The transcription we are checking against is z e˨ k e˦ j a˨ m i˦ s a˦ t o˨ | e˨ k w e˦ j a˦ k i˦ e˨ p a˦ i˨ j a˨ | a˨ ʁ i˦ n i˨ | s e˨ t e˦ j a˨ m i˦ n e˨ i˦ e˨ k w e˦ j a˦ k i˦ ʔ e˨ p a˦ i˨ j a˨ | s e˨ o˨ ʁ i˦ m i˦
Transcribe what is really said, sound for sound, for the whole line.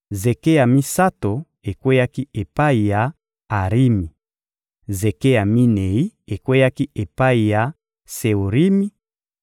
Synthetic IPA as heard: z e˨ k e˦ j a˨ m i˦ s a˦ t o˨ | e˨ k w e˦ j a˦ k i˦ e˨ p a˦ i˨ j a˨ | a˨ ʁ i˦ m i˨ | z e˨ k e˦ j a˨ m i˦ n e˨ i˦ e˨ k w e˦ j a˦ k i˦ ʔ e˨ p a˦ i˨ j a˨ | s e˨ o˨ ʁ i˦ m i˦